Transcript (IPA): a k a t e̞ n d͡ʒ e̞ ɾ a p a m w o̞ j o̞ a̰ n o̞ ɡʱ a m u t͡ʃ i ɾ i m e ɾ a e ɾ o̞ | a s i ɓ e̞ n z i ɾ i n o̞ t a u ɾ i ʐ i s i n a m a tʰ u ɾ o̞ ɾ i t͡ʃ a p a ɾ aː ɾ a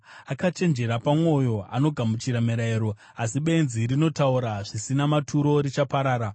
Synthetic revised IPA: a k a t͡ʃ e̞ n d͡ʒ e̞ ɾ a p a m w o̞ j o̞ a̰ n o̞ ɡʱ a m u t͡ʃ i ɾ a m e ɾ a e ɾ o̞ | a s i ɓ e̞ n z i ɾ i n o̞ t a u ɾ a ʐ i s i n a m a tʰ u ɾ o̞ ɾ i t͡ʃ a p a ɾ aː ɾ a